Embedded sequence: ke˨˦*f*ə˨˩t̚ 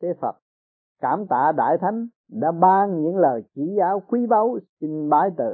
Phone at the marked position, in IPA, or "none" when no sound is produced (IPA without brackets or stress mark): f